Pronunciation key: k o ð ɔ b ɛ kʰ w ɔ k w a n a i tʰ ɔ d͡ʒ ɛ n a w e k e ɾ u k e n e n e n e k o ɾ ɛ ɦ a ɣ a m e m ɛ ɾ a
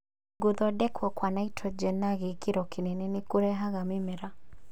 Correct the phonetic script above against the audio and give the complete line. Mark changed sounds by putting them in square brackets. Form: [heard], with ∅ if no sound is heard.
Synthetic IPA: [ɡ] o ð ɔ [d] ɛ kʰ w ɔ k w a n a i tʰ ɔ d͡ʒ ɛ n a [ɣ] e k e ɾ [ɔ] k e n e n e n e k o ɾ ɛ ɦ a ɣ a m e m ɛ ɾ a